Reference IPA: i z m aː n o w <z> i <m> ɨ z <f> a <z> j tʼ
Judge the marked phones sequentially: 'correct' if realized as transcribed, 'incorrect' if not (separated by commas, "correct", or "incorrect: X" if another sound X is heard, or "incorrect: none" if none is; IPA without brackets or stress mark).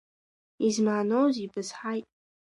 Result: correct, incorrect: b, incorrect: ħ, incorrect: none